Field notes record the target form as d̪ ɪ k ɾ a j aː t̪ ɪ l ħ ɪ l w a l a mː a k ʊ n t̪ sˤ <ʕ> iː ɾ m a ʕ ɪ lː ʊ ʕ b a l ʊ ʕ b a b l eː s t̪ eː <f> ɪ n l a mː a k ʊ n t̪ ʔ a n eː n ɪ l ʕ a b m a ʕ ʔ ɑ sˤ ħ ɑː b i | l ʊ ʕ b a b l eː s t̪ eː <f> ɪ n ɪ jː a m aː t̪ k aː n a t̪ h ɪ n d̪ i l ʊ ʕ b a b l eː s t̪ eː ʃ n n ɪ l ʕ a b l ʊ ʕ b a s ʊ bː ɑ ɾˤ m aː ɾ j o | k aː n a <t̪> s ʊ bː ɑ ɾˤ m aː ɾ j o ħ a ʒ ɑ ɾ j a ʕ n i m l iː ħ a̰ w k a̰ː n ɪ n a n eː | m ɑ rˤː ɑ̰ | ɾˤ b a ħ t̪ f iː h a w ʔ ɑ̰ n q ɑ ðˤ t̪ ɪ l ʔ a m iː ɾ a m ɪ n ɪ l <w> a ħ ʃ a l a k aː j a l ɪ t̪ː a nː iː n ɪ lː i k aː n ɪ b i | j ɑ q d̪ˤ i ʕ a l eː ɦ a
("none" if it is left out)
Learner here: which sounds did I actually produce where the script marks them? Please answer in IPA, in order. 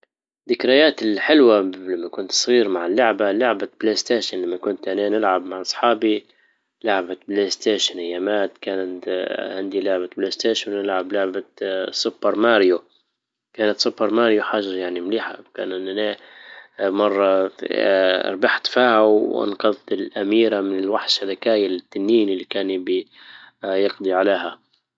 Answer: ɣ, ʃ, ʃ, t̪, w

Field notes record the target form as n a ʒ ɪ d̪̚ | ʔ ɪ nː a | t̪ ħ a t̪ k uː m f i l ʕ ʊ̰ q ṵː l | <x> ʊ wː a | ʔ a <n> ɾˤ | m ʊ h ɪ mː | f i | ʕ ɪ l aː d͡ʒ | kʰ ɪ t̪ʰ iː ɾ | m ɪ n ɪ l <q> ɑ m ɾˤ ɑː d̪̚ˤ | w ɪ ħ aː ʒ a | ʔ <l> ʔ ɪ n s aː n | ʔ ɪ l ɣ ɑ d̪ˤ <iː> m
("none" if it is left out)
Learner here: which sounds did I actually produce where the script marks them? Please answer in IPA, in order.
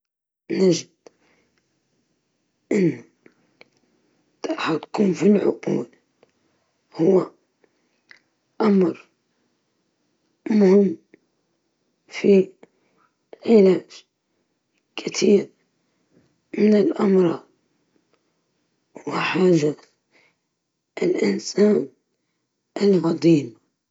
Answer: h, m, ʔ, l, iː

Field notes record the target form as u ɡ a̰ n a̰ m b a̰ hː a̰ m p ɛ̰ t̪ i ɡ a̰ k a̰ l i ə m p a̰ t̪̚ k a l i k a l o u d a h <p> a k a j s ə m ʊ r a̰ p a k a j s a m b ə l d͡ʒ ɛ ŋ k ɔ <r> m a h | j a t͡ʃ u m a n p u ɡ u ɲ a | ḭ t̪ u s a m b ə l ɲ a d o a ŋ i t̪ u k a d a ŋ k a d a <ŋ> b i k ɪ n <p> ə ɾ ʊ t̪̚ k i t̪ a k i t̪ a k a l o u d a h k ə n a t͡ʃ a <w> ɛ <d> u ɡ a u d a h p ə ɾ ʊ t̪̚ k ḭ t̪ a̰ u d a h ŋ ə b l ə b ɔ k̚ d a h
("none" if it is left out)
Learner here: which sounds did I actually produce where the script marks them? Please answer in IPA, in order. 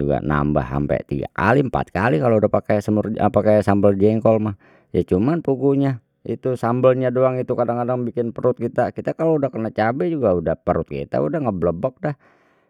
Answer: p, l, ŋ, p, b, d͡ʒ

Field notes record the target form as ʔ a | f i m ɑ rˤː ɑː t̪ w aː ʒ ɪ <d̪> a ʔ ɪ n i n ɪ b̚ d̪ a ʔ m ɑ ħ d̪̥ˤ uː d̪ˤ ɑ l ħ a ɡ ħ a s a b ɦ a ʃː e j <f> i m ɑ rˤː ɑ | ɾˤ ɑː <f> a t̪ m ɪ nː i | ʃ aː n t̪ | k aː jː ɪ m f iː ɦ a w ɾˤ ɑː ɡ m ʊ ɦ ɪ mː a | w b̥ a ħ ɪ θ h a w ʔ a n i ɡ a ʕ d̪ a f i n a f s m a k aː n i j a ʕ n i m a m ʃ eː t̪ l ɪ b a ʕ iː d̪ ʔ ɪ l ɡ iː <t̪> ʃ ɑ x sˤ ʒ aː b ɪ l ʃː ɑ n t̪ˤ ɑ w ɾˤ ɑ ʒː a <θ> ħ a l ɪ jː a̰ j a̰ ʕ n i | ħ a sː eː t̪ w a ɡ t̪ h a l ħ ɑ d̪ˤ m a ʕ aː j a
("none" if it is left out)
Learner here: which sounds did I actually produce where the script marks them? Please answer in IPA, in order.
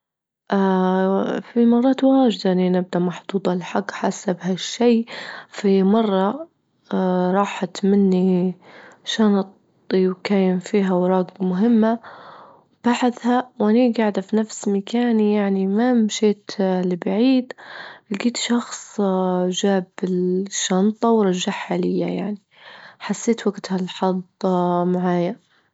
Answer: d̪, f, ħ, t̪, ħ

